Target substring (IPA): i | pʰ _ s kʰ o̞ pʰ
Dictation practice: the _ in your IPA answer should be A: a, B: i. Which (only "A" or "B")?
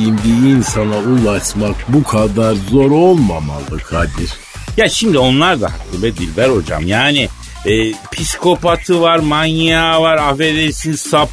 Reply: B